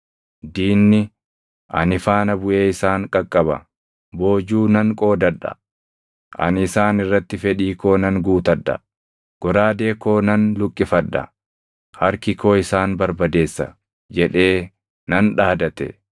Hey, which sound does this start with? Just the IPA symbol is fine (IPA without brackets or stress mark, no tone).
d̪